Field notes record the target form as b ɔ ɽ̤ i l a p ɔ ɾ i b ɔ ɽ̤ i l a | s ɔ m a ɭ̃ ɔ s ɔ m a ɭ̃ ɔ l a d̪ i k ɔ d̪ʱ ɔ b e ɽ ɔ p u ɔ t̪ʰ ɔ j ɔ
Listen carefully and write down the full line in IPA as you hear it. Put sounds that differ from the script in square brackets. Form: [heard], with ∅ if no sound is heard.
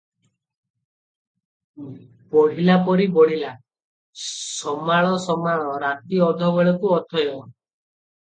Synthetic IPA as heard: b ɔ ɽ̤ i l a p ɔ ɾ i b ɔ ɽ̤ i l a | s ɔ m a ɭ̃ ɔ s ɔ m a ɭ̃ ɔ [ɾ] a [t̪] i [∅] ɔ d̪ʱ ɔ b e [ɭ] ɔ [k] u ɔ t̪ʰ ɔ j ɔ

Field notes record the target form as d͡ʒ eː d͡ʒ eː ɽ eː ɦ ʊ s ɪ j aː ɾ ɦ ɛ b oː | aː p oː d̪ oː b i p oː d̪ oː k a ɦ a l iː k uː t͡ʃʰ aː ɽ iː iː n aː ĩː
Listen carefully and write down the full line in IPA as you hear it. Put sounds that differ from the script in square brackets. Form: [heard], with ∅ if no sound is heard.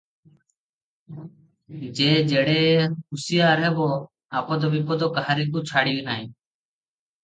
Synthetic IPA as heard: d͡ʒ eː d͡ʒ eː ɽ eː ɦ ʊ s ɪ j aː ɾ ɦ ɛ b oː | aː p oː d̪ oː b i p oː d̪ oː k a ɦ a [ɾ] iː k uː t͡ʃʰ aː ɽ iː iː n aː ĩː

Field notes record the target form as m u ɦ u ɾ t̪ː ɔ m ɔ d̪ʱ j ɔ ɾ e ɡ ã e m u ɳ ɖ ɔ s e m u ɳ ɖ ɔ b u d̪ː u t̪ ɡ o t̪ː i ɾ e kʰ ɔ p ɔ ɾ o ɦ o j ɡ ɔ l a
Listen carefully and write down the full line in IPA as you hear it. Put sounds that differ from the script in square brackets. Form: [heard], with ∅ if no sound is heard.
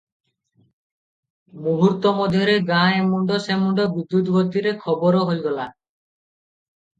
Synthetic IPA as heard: m u ɦ u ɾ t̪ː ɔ m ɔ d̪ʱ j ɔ ɾ e ɡ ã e m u ɳ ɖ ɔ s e m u ɳ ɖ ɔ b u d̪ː u t̪ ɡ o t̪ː i ɾ e kʰ ɔ [b] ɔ ɾ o ɦ o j ɡ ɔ l a

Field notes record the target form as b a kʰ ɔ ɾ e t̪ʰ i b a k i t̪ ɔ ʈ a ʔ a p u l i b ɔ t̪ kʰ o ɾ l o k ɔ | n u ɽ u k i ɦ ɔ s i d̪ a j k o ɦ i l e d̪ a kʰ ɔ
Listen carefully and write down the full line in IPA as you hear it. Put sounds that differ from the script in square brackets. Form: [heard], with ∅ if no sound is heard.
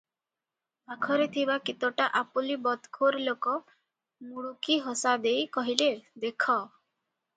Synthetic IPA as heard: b a kʰ ɔ ɾ e t̪ʰ i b a k i t̪ ɔ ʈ a ʔ a p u l i b ɔ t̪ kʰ o ɾ l o k ɔ | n u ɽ u k i ɦ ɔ s [a] d̪ [e] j k [ɔ] ɦ i l e d̪ [e] kʰ ɔ

